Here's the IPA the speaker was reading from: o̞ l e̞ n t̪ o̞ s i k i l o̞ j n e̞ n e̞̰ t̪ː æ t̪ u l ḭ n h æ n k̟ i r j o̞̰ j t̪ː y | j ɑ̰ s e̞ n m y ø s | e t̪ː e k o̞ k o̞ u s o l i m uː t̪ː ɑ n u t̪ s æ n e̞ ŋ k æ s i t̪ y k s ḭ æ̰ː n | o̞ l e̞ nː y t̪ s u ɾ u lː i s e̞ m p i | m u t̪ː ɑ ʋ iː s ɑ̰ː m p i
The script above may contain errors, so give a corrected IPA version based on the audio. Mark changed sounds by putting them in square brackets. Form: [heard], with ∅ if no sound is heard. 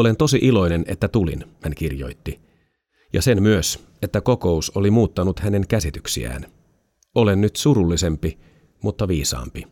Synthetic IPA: o̞ l e̞ n t̪ o̞ s i [ʔ] i l o̞ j n e̞ n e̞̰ t̪ː æ t̪ u l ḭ n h æ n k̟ i r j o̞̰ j t̪ː [i] | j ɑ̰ s e̞ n m y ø s | e t̪ː [æ] k o̞ k o̞ u s o l i m uː t̪ː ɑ n u t̪ [h] æ n e̞ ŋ k æ s i t̪ y k s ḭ æ̰ː n | o̞ l e̞ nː y t̪ s u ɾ u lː i s e̞ m p i | m u t̪ː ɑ ʋ iː s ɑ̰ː m p i